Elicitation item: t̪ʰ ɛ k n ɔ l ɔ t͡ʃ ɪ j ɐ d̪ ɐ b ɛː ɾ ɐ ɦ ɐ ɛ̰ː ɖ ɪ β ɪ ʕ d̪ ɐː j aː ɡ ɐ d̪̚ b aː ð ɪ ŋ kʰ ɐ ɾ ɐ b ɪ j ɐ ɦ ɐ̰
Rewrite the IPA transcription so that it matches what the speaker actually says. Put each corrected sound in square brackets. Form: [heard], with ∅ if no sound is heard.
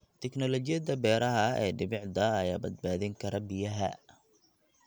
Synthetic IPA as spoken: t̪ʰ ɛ k n ɔ l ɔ t͡ʃ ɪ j ɐ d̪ ɐ b ɛː ɾ ɐ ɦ ɐ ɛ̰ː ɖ ɪ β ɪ ʕ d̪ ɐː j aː [b] ɐ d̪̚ b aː ð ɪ ŋ kʰ ɐ ɾ ɐ b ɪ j ɐ ɦ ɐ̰